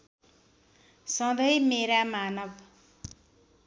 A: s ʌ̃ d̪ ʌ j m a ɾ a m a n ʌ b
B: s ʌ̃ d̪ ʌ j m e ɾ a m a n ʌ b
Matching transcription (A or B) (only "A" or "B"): B